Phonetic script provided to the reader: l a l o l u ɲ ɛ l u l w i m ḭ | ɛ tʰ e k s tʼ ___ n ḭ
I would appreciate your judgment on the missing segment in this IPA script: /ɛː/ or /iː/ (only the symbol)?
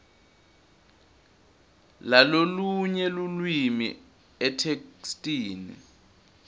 iː